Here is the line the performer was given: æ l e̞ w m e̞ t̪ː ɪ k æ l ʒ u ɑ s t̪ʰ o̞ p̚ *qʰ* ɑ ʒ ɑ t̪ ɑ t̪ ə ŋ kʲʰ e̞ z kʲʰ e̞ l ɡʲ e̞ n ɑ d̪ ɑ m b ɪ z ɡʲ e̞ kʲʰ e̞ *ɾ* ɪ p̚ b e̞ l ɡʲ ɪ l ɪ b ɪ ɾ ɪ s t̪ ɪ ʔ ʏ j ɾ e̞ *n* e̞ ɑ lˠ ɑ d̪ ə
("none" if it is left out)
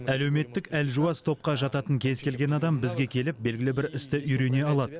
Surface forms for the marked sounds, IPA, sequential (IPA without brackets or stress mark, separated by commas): q, l, n